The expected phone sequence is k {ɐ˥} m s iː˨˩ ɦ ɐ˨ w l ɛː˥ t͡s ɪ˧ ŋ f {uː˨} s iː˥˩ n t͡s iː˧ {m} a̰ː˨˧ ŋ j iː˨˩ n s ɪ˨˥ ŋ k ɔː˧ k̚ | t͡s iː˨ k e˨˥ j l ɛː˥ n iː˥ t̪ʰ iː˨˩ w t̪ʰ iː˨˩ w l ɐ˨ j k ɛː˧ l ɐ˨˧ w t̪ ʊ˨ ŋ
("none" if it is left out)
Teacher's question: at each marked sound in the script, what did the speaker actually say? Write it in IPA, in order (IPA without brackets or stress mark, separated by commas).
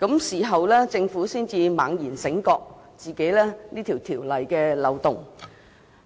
ɐ˨˥, uː˨˥, m